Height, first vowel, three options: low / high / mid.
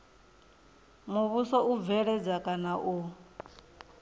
high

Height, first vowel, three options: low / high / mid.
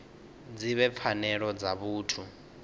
high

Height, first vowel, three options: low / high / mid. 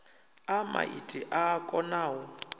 low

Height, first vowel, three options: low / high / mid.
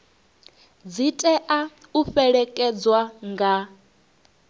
high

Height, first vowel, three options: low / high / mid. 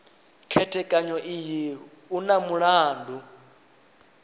mid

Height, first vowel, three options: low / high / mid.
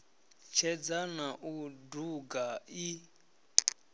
mid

